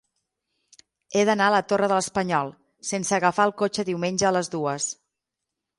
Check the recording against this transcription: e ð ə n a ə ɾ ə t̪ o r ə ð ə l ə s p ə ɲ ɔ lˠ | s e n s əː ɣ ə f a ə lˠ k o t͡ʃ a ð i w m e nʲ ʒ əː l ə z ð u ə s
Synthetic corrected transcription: e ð ə n a ə l ə t̪ o r ə ð ə l ə s p ə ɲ ɔ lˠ | s e n s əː ɣ ə f a ə lˠ k o t͡ʃ ə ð i w m e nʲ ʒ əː l ə z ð u ə s